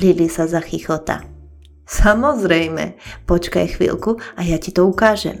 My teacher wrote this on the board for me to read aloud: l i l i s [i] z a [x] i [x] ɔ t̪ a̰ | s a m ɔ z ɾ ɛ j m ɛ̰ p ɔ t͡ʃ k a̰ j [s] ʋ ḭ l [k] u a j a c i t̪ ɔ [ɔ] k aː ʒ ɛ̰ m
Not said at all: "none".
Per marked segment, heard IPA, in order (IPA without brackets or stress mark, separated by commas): a, x, x, x, k, u